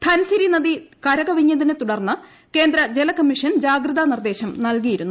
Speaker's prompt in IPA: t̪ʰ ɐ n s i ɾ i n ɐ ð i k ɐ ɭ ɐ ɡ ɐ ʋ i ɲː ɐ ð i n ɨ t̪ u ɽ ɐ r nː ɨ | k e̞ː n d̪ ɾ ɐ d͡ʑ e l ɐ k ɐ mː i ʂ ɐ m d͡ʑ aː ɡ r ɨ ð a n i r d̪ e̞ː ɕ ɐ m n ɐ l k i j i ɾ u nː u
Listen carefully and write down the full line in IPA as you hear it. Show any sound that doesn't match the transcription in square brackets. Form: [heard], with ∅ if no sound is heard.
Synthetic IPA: t̪ʰ ɐ n s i ɾ i n ɐ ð i k ɐ [ɾ] ɐ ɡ ɐ ʋ i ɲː ɐ ð i n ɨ t̪ u ɽ ɐ r nː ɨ | k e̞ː n d̪ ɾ ɐ d͡ʑ e l ɐ k ɐ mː i ʂ ɐ [n] d͡ʑ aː ɡ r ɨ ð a n i r d̪ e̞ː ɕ ɐ m n ɐ l k i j i ɾ u nː u